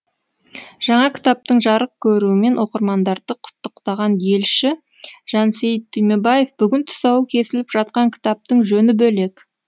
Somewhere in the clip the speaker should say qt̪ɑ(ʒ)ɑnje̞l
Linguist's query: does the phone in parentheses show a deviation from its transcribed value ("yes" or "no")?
yes